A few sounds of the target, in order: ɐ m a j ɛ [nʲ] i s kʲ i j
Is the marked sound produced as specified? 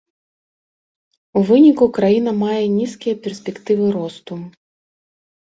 yes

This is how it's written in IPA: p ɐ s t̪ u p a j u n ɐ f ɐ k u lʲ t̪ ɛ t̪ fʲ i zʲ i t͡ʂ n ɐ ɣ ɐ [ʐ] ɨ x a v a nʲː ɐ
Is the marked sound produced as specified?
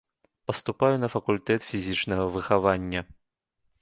no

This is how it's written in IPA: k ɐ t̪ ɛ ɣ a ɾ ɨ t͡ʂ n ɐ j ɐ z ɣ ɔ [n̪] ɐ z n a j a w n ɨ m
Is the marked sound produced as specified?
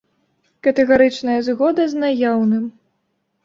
no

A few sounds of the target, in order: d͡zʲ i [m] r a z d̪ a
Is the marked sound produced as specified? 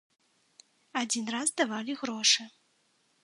no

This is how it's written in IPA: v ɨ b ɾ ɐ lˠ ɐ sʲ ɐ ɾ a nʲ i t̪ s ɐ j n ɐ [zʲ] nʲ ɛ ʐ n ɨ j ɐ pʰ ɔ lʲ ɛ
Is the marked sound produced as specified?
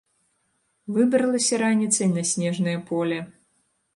no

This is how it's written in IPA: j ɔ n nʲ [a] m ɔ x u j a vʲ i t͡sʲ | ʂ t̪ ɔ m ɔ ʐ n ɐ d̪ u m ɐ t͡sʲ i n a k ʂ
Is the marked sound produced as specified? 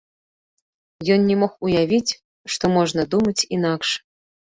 no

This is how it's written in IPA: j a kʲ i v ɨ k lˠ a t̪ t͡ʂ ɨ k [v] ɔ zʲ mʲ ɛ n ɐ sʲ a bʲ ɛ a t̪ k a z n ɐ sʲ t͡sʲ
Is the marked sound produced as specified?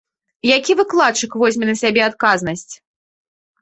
yes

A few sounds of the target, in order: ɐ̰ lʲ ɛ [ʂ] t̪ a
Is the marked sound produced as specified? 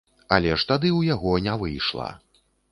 yes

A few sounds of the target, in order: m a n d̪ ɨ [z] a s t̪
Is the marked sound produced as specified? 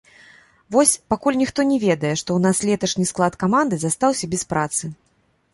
yes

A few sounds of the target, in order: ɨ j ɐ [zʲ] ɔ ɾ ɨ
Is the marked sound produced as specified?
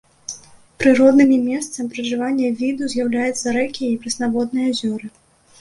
yes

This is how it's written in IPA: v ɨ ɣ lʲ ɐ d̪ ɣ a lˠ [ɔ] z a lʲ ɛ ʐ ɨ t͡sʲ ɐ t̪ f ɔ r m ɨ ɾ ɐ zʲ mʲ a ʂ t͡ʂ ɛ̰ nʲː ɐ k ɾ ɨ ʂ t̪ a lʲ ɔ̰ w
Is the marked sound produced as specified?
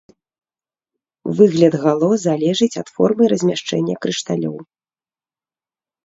yes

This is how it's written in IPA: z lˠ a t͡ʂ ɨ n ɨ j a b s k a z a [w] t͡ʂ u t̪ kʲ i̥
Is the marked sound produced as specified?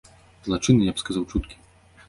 yes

